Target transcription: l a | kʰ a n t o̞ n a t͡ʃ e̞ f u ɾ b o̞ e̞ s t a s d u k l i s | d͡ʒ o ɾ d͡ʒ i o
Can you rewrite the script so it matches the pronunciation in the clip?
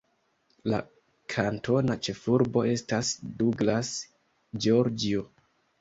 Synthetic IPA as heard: l a | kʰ a n t o̞ n a t͡ʃ e̞ f u ɾ b o̞ e̞ s t a s d u ɡ l a s | d͡ʒ o ɾ d͡ʒ i o